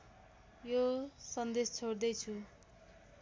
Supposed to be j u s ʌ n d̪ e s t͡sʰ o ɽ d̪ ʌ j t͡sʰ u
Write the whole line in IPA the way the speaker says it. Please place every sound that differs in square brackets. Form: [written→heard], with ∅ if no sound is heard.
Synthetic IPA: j [u→o] s ʌ n d̪ e s t͡sʰ o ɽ d̪ ʌ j t͡sʰ u